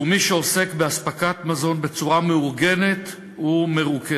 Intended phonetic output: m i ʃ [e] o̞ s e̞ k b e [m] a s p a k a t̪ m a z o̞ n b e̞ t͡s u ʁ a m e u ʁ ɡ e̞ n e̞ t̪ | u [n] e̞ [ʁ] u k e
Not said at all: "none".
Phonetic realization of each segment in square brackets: e, none, m, ʁ

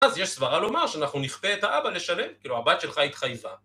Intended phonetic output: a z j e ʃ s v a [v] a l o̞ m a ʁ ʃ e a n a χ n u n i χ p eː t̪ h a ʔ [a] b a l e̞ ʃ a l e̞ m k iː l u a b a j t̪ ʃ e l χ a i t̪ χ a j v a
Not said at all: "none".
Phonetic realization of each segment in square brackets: ʁ, a

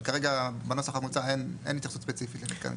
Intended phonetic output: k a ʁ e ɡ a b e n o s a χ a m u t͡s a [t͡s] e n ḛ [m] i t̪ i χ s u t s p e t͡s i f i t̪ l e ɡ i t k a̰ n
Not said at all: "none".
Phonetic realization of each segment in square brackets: none, n

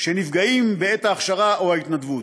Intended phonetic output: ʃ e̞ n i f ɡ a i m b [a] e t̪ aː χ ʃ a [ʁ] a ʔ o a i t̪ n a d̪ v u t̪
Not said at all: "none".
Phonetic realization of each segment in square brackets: e, ʁ

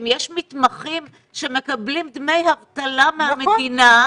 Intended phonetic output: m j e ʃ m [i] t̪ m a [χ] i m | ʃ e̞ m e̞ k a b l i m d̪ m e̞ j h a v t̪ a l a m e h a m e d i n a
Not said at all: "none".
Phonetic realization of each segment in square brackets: i, χ

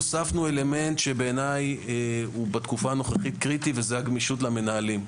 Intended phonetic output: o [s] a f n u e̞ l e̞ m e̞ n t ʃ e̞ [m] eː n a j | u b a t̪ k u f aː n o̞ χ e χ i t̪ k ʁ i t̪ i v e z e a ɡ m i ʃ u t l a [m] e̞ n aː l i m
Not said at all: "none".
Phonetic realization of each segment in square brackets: s, b, m

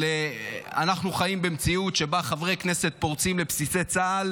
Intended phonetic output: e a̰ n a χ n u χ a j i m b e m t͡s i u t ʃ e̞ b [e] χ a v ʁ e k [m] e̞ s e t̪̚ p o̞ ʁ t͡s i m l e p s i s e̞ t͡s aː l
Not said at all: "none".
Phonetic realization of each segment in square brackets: a, n

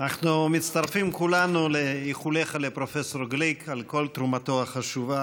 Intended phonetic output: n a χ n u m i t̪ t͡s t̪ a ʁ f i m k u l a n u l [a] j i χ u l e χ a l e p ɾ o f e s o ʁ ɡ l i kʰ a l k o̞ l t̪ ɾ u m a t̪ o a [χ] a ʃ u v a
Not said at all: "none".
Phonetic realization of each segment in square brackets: e, χ

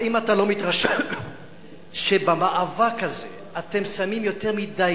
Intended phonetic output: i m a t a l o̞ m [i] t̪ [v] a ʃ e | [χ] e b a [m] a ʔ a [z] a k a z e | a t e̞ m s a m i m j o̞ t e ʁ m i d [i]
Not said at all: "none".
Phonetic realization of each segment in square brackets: i, ʁ, ʃ, m, v, a

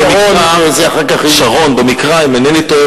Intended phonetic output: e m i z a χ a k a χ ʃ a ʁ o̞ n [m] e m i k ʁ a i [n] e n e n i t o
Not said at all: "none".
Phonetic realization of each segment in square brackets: b, m

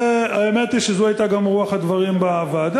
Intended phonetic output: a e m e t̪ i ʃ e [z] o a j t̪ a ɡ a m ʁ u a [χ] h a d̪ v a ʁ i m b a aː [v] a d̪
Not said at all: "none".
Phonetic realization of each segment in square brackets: z, χ, v

